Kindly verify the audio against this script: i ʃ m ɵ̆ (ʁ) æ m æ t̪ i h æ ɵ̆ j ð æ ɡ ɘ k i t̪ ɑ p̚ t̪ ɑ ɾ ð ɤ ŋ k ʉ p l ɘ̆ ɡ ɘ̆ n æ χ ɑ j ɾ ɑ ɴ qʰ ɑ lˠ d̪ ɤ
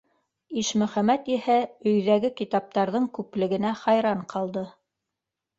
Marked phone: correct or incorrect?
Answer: incorrect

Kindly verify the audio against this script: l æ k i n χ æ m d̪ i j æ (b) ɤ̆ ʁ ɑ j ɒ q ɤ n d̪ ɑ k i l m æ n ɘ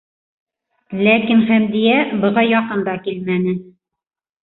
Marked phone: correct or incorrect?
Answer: correct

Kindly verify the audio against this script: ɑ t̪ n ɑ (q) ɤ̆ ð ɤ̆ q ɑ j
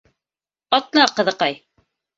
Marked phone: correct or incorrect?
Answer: correct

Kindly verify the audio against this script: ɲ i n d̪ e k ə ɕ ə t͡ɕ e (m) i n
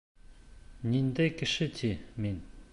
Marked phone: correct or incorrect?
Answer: correct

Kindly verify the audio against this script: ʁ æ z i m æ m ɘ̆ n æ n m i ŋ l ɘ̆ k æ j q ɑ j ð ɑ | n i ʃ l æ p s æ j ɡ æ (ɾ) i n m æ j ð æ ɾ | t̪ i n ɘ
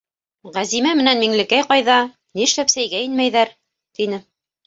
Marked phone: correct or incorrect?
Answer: incorrect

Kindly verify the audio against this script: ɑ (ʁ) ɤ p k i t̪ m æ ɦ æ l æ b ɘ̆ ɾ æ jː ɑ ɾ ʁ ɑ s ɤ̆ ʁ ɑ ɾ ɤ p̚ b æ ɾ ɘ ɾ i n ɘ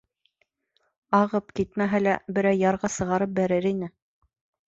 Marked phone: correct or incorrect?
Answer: correct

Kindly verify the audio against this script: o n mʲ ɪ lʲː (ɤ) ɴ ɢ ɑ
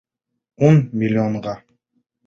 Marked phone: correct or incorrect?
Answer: incorrect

